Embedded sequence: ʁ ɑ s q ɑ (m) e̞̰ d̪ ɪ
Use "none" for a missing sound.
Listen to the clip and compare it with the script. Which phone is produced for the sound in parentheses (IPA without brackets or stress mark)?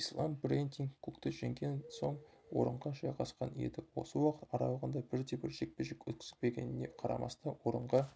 n